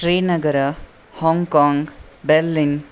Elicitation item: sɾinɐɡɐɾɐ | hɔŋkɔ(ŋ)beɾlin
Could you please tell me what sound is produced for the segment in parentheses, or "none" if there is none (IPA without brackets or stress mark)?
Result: ŋ